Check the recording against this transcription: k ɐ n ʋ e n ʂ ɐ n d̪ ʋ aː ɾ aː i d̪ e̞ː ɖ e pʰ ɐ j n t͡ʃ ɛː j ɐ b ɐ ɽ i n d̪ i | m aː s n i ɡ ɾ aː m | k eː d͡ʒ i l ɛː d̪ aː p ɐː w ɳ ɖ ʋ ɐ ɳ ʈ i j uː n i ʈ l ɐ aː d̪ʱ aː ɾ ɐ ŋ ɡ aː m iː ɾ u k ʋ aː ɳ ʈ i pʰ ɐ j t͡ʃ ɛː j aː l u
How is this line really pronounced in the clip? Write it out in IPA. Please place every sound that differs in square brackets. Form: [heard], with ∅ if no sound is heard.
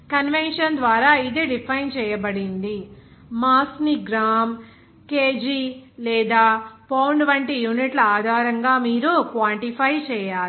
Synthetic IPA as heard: k ɐ n ʋ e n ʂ ɐ n d̪ ʋ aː ɾ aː i d̪ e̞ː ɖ [i] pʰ ɐ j n t͡ʃ ɛː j ɐ b ɐ ɽ i n d̪ i | m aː s n i ɡ ɾ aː m | k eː d͡ʒ i l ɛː d̪ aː p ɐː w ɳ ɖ ʋ ɐ ɳ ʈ i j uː n i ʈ l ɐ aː d̪ʱ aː ɾ ɐ ŋ ɡ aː m iː ɾ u k ʋ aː ɳ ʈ i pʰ ɐ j t͡ʃ ɛː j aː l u